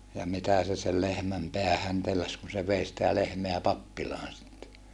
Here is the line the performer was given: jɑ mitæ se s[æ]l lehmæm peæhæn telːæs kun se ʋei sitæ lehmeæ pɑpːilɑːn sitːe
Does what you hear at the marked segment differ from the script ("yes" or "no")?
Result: yes